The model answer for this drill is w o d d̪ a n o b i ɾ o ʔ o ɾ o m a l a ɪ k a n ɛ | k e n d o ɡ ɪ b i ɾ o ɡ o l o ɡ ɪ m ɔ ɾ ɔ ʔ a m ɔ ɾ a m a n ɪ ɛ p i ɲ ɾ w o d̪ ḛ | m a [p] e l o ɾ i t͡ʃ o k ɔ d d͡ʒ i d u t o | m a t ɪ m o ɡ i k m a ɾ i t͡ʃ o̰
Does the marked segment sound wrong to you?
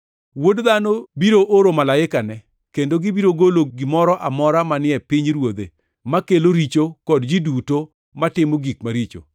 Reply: yes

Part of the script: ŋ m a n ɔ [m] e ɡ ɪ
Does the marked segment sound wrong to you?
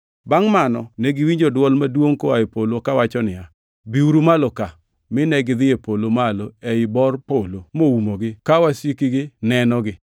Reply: yes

